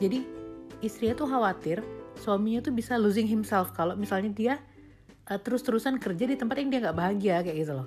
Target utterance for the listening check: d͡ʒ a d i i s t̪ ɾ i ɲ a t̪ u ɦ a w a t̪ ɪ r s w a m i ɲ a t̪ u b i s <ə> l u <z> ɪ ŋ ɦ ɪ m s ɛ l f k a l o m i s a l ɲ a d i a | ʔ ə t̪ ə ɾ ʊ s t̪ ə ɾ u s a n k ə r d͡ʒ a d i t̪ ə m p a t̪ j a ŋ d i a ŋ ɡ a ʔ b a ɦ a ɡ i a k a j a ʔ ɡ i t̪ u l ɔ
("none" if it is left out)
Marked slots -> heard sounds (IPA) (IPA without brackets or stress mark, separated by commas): a, z